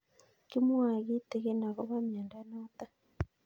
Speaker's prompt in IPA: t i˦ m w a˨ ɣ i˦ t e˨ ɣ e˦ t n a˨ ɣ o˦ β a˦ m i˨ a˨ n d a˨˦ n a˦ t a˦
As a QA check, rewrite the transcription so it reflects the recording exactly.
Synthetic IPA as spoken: k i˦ m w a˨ ɣ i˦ t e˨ ɣ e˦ n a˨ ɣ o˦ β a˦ m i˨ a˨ n d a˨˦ n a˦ t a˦